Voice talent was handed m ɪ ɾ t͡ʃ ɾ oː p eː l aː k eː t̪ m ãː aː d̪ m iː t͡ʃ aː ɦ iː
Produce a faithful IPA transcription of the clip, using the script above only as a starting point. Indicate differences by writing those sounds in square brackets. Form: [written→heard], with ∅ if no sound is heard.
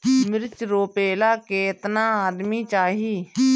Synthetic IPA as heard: m ɪ ɾ t͡ʃ ɾ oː p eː l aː k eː t̪ [m→n] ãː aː d̪ m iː t͡ʃ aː ɦ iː